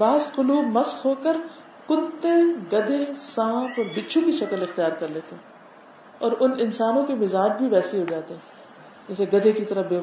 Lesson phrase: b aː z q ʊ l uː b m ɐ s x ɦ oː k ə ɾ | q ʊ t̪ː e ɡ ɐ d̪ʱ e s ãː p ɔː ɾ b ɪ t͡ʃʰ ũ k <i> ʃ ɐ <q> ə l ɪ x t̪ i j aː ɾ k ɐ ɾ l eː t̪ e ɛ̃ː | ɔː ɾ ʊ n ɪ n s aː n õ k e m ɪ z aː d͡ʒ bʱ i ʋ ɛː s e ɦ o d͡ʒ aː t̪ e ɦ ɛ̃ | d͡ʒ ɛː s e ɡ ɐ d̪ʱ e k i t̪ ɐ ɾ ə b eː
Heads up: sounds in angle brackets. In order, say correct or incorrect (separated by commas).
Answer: correct, incorrect